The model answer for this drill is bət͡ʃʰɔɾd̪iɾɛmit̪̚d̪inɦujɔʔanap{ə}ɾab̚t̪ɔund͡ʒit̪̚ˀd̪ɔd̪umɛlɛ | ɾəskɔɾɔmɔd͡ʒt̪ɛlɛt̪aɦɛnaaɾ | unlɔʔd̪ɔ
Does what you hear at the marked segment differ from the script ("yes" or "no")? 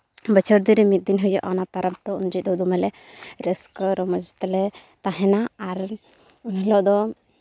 yes